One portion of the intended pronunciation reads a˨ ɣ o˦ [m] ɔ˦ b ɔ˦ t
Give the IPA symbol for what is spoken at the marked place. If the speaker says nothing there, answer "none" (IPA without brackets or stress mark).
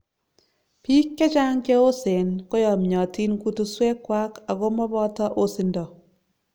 m